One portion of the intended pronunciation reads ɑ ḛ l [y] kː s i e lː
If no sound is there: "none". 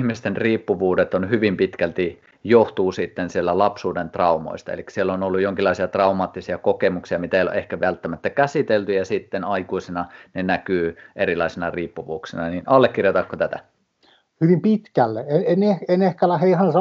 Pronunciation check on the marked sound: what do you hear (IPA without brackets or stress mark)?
i